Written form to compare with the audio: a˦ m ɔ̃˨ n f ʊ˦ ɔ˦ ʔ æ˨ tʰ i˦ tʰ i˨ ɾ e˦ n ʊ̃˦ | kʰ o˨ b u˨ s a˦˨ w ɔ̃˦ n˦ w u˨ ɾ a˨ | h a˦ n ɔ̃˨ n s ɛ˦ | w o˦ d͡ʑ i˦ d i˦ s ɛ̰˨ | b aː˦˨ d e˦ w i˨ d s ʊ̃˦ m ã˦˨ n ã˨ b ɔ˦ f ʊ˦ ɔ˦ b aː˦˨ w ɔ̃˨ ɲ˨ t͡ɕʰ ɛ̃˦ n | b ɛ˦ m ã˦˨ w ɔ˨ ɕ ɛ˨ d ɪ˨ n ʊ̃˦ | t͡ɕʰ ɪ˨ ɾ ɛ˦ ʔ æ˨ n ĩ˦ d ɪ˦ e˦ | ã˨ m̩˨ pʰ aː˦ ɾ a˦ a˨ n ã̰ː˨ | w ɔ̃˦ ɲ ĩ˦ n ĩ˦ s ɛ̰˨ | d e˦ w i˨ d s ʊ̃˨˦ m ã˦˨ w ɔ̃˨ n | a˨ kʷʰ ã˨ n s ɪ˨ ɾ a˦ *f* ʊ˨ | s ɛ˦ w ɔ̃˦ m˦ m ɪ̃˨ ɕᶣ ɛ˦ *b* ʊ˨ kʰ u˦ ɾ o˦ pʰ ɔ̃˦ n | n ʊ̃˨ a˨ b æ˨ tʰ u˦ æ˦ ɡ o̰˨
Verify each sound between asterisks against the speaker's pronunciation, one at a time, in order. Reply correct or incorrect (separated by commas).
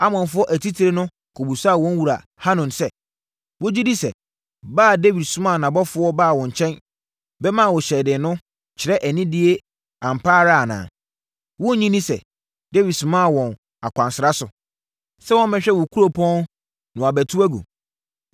incorrect, incorrect